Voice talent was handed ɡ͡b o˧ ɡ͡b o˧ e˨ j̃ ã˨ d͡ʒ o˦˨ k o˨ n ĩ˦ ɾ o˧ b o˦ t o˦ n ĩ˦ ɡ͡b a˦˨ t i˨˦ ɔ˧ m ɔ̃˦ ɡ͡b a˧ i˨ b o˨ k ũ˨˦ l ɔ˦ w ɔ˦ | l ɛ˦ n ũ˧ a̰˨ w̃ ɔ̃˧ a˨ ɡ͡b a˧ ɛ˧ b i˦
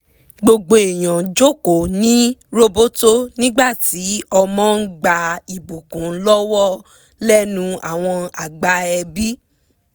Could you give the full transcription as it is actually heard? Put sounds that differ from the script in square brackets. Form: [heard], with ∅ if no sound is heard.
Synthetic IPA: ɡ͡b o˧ ɡ͡b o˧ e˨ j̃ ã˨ d͡ʒ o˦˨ k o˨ n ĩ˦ ɾ o˧ b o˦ t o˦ n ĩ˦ ɡ͡b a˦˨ t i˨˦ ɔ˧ m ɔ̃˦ ɡ͡b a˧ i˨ b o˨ k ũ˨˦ l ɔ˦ w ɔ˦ | l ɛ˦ n ũ˧ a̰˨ w̃ ɔ̃˧ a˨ ɡ͡b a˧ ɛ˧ b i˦